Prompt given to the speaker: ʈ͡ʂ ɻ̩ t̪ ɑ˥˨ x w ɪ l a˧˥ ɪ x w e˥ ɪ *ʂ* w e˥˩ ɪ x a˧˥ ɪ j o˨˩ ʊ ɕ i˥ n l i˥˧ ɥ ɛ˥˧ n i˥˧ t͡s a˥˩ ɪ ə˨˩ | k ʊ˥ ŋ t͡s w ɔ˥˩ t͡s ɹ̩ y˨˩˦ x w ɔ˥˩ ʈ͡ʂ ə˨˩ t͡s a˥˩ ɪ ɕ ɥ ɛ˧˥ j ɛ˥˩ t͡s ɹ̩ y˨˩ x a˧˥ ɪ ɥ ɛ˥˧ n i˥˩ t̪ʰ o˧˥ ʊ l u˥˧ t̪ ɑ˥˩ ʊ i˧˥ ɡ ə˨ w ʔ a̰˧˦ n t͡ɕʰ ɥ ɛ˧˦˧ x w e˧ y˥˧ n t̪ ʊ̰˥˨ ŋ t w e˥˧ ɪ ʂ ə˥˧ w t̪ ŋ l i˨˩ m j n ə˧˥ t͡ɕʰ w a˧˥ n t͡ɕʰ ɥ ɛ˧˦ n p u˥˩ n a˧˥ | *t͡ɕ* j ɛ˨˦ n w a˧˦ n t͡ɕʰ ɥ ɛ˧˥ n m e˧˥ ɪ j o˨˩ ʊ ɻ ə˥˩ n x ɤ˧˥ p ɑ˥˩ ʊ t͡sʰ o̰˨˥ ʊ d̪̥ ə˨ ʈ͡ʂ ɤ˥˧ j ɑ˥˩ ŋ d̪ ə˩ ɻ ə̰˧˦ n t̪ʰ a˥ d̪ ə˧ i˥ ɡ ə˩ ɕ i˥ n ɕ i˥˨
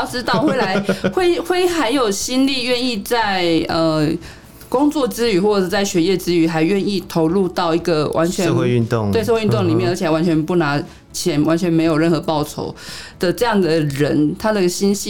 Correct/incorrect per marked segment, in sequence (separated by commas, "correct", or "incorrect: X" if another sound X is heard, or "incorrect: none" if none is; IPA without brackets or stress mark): incorrect: x, incorrect: t͡ɕʰ